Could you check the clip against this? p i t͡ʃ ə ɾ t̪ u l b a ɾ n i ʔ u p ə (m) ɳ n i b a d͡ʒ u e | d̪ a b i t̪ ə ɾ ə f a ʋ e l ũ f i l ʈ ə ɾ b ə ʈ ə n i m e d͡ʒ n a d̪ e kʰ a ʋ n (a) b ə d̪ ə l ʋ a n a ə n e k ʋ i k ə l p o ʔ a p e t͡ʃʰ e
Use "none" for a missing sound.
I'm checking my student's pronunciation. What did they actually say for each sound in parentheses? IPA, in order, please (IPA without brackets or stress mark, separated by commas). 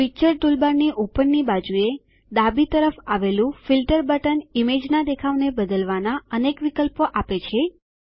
none, e